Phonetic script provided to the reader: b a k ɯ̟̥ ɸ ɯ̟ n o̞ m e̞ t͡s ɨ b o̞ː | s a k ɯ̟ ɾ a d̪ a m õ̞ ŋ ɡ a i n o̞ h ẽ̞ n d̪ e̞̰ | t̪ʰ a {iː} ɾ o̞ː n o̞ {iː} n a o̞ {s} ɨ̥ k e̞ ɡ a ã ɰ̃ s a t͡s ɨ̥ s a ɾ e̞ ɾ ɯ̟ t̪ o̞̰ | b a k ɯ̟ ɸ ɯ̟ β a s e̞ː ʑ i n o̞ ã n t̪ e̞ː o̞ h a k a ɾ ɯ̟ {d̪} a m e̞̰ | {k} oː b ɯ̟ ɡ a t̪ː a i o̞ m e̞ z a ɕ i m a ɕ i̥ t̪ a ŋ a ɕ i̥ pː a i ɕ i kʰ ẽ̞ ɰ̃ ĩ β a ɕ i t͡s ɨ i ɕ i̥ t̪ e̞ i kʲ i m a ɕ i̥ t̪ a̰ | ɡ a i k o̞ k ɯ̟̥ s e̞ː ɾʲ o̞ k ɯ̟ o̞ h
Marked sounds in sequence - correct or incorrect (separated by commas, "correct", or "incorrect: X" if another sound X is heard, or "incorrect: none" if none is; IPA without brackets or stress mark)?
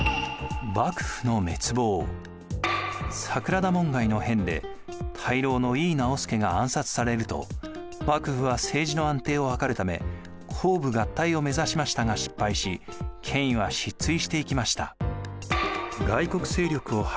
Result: incorrect: i, correct, correct, incorrect: t̪, incorrect: kʰ